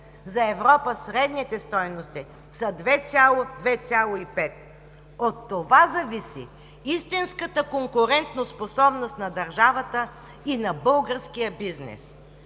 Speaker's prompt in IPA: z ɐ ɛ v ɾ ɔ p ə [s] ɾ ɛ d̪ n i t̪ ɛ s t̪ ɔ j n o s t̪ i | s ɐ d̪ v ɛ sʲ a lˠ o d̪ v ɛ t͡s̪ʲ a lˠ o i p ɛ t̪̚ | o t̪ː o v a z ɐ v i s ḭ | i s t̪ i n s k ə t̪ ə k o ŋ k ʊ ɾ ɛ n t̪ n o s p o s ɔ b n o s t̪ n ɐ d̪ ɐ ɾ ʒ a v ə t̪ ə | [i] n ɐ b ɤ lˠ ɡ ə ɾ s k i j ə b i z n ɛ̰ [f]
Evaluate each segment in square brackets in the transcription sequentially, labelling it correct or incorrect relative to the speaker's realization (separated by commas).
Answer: correct, correct, incorrect